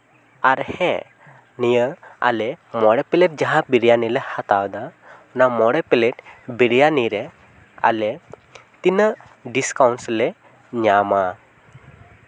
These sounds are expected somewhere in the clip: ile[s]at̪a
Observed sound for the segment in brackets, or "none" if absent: h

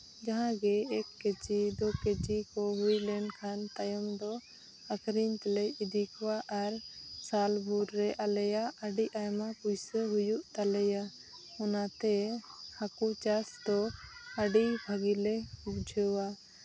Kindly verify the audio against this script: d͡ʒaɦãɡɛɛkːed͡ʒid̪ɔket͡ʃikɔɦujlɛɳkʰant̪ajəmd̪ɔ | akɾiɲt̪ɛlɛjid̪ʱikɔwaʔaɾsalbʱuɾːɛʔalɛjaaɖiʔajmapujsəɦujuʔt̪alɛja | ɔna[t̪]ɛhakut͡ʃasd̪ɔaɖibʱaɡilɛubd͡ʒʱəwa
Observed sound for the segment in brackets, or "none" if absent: t̪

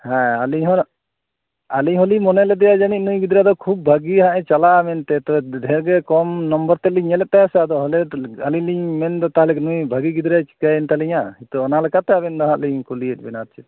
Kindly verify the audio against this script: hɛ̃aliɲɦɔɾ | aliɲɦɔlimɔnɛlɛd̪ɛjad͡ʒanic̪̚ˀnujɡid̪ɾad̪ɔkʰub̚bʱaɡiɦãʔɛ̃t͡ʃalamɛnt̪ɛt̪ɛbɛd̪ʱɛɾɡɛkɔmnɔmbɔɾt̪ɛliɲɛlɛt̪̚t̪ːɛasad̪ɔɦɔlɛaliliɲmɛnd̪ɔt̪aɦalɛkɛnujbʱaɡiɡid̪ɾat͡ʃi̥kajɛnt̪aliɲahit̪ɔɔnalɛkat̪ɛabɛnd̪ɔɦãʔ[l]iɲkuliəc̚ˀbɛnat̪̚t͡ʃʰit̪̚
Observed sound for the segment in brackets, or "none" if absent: l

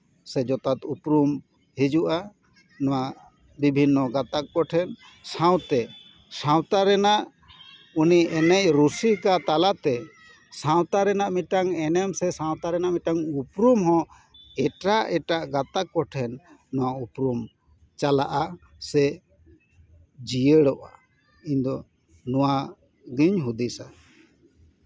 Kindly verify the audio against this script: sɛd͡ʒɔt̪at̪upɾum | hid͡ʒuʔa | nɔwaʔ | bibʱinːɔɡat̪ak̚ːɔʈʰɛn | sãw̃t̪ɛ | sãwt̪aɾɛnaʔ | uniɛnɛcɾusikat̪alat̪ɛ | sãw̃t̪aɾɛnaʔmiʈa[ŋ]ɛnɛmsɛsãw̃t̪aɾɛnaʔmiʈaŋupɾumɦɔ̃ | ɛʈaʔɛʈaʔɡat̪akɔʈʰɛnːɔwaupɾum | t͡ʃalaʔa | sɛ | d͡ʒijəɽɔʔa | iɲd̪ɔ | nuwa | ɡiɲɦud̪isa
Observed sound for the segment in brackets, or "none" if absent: ŋ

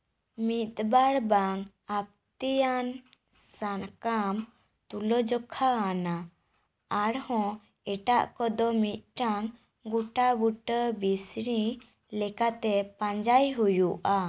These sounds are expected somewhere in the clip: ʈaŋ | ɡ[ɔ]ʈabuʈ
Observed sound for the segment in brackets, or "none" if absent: u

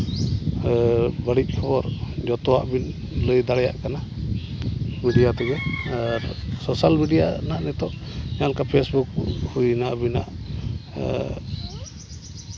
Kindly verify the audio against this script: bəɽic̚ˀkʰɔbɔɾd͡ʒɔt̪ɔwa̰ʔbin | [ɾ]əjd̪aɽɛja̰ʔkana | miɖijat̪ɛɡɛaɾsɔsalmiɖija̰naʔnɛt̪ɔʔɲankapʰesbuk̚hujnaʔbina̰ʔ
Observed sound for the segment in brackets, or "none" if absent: l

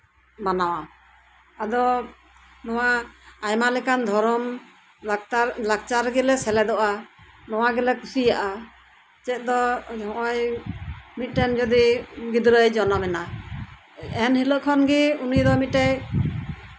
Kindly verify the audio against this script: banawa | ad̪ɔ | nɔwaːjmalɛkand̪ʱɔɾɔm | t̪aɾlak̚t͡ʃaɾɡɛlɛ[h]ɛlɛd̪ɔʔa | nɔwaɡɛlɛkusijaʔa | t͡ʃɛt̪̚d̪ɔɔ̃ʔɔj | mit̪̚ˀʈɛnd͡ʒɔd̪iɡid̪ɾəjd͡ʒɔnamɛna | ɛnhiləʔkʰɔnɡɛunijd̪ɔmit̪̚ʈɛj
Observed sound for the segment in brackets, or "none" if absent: s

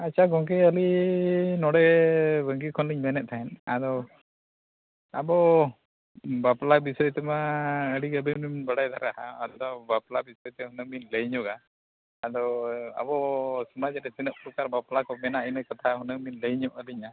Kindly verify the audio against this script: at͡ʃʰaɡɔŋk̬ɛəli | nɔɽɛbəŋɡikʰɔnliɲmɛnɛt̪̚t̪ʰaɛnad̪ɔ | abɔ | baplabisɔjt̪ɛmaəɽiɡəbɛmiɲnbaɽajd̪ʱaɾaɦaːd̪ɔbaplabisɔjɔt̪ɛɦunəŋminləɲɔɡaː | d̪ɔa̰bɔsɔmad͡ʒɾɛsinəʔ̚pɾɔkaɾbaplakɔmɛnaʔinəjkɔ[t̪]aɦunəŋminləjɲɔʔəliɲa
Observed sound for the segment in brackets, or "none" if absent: t̪ʰ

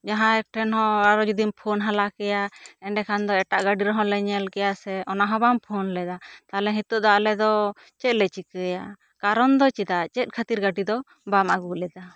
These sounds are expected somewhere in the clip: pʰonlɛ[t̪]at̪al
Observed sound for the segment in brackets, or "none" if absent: d̪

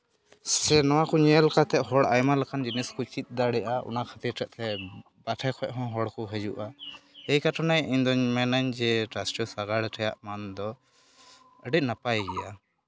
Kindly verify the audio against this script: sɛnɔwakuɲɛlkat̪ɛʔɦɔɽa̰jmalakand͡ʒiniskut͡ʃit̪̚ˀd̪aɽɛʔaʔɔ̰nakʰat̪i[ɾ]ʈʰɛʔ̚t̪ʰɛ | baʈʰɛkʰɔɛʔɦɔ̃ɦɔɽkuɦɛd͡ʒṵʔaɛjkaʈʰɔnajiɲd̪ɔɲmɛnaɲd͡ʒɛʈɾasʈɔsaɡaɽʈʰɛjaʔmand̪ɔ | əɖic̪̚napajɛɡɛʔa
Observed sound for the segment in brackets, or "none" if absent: ɾ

